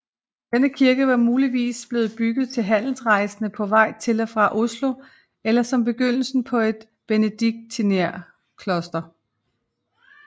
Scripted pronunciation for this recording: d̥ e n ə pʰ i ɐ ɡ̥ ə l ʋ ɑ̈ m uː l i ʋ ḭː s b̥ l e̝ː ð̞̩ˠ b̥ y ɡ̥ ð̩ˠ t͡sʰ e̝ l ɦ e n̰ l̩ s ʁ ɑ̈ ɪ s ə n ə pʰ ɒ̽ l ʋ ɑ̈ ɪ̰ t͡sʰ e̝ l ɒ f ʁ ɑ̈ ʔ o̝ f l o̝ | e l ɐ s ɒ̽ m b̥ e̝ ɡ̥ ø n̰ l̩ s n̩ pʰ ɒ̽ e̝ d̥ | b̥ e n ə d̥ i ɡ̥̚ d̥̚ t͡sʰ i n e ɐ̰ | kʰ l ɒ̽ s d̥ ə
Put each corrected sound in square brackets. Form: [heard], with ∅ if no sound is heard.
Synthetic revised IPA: d̥ e n ə [kʰ] i ɐ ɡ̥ ə [∅] ʋ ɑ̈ m uː l i ʋ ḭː s b̥ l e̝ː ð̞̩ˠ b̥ y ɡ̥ ð̩ˠ t͡sʰ e̝ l ɦ [æ] n̰ l̩ s ʁ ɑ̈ ɪ s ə n ə pʰ ɒ̽ [∅] ʋ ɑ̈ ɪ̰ t͡sʰ e̝ l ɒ f ʁ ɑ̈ ʔ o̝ [s] l o̝ | e l ɐ s ɒ̽ m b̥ e̝ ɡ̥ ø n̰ l̩ s n̩ pʰ ɒ̽ e̝ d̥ | b̥ e n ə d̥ i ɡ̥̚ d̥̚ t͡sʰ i n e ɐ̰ | kʰ l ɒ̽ s d̥ [ɐ]